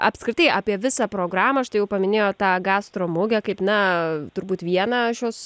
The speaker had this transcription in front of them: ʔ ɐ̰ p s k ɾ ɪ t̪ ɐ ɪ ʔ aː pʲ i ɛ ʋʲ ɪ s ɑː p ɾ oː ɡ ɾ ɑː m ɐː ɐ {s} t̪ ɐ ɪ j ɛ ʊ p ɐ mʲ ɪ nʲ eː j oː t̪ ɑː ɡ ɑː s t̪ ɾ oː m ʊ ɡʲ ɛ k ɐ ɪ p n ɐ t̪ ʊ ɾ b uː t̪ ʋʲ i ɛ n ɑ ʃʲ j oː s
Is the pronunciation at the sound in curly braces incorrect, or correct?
incorrect